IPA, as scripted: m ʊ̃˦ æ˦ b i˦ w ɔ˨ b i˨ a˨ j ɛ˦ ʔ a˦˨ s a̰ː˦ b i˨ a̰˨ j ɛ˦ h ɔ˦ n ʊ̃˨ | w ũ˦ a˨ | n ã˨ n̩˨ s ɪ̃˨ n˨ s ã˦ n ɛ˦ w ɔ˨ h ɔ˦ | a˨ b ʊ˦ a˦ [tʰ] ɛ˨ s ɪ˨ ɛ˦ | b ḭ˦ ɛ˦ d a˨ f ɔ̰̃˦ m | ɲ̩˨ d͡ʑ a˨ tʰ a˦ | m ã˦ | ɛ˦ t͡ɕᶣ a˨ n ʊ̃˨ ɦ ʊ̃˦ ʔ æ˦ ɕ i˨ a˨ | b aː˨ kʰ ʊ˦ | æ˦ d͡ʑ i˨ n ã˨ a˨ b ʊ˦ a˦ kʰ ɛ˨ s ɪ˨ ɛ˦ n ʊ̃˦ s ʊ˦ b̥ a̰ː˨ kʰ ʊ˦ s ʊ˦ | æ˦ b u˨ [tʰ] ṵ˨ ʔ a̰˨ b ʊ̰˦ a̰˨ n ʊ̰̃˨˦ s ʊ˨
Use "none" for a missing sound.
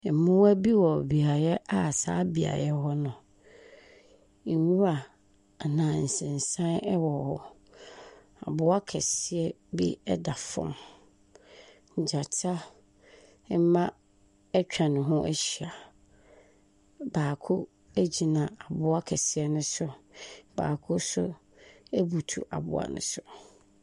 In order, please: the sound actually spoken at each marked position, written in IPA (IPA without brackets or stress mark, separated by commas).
kʰ, tʰ